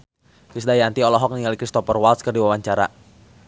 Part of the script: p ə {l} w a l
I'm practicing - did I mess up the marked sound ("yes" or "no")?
yes